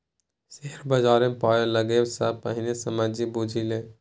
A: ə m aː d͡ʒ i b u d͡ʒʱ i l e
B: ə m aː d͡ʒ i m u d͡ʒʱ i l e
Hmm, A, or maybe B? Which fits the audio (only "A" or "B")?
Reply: A